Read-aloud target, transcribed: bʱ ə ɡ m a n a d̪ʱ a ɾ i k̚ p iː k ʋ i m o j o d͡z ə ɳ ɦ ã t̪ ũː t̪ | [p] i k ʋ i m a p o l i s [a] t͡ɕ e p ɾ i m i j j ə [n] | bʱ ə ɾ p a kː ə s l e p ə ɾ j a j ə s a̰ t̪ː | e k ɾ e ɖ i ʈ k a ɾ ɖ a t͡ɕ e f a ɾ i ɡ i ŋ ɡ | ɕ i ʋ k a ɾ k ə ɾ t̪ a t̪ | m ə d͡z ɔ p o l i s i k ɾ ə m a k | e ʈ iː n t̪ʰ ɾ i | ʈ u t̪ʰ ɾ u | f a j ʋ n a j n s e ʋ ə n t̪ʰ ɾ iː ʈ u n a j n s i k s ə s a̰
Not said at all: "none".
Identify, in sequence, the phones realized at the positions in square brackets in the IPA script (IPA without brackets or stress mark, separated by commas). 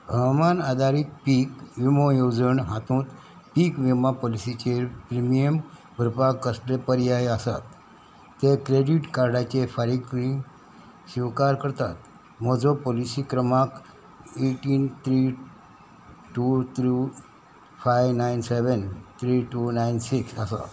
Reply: p, i, m